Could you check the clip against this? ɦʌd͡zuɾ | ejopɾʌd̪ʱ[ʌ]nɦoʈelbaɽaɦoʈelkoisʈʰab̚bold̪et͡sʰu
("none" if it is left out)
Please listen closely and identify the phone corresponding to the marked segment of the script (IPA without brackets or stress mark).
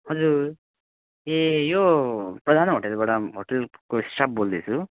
a